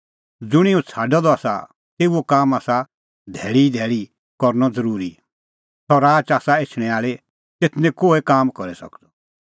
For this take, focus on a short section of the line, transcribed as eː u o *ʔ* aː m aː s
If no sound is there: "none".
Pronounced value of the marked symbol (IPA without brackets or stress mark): k